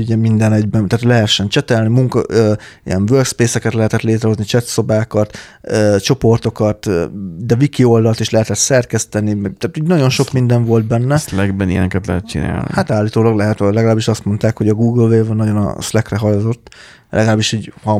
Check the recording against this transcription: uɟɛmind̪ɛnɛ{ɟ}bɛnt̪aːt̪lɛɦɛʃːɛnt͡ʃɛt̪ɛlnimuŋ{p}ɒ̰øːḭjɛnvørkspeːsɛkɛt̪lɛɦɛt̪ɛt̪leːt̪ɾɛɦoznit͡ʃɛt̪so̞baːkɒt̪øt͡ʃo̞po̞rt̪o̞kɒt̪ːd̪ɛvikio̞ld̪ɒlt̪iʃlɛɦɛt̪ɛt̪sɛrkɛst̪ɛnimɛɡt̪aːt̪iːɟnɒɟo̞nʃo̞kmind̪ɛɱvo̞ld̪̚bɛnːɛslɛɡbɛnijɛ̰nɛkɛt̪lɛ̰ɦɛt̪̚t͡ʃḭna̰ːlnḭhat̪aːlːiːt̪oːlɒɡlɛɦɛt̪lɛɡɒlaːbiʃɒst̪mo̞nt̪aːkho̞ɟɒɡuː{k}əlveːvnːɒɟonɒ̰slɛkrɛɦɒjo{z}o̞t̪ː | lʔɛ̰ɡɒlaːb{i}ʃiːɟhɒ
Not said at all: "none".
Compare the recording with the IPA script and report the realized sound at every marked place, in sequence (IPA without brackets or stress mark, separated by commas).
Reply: ɟ, k, ɡ, z, i